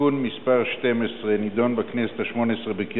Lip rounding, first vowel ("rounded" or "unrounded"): rounded